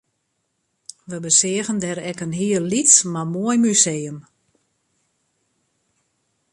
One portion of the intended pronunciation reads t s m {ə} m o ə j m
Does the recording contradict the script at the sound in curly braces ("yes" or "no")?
yes